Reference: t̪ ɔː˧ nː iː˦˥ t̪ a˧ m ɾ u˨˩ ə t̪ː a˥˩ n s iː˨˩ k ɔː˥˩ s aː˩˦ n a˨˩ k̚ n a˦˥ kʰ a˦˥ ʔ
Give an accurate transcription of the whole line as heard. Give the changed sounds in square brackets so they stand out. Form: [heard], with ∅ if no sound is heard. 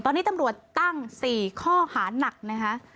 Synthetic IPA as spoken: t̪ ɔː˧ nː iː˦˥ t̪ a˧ m ɾ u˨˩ ə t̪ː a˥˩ [ŋ] s iː˨˩ [kʰ] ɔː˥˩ [h] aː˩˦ n a˨˩ k̚ n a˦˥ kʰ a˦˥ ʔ